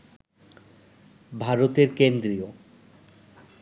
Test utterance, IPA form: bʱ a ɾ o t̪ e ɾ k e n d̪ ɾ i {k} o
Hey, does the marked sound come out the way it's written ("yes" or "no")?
no